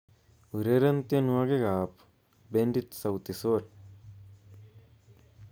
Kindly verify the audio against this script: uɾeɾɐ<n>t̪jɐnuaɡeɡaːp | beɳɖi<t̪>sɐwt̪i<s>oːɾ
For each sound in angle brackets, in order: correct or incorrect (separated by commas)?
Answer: correct, correct, correct